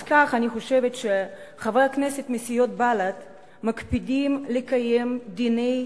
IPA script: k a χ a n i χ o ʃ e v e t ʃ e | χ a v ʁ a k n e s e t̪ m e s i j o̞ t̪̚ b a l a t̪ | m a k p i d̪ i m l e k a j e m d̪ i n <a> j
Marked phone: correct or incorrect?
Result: incorrect